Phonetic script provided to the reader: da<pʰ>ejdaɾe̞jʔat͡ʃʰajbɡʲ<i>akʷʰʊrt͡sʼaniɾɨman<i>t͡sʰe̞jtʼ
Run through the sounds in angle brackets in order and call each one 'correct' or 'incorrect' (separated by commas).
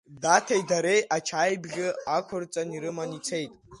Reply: incorrect, incorrect, correct